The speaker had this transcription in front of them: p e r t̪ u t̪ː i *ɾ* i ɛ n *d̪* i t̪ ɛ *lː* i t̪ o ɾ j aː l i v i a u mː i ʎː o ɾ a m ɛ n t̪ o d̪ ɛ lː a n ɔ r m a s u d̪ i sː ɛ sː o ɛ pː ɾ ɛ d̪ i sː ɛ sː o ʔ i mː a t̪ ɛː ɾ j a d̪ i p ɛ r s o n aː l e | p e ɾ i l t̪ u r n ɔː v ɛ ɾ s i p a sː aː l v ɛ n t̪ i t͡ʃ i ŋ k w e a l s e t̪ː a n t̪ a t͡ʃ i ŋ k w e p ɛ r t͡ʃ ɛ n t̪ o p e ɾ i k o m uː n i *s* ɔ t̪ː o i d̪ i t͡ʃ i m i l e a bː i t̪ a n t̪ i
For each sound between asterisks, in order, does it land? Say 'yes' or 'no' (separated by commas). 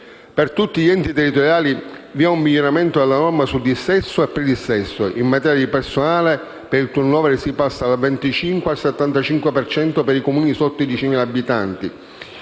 no, no, no, yes